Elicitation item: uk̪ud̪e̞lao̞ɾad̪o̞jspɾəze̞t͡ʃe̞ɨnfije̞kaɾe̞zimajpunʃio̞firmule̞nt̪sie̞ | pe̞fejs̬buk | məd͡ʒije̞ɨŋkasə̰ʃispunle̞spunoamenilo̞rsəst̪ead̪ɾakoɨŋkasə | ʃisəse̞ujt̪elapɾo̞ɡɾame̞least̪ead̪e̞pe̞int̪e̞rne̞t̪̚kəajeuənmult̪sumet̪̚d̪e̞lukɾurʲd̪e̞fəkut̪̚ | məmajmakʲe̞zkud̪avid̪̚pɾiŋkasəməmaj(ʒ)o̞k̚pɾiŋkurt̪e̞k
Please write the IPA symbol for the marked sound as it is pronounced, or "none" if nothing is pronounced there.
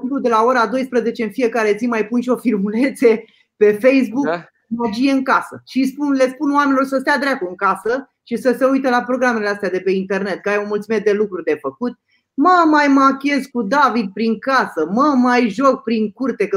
ʒ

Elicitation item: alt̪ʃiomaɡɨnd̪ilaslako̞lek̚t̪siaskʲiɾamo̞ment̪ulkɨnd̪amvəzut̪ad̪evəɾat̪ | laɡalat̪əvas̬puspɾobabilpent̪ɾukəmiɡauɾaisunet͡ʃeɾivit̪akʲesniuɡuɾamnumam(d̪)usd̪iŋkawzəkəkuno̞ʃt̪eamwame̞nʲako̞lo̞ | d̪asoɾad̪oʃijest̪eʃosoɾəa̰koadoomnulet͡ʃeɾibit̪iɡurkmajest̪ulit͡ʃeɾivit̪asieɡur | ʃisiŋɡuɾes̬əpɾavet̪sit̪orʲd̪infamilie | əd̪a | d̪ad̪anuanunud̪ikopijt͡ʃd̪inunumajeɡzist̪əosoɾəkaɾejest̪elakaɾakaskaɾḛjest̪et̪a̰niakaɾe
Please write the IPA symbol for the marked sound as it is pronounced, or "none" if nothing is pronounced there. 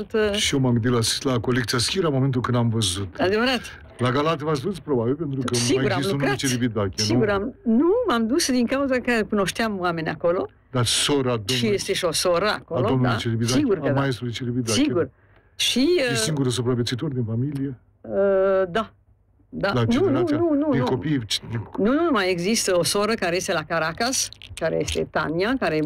d̪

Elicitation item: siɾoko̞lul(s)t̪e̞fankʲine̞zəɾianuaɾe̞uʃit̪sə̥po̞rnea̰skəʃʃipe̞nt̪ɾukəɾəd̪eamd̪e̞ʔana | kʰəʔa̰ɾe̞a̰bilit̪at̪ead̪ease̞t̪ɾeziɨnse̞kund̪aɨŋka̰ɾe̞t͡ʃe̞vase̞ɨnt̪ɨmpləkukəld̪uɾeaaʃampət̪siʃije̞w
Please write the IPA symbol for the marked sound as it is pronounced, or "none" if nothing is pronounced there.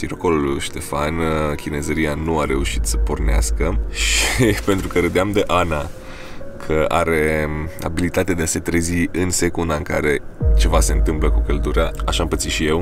ʃ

